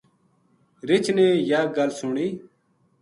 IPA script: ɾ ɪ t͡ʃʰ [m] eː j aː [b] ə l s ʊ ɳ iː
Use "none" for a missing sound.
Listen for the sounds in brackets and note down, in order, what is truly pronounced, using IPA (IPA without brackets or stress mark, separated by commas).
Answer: n, ɡ